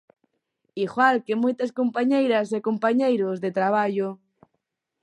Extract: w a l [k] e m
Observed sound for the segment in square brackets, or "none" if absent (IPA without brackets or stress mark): k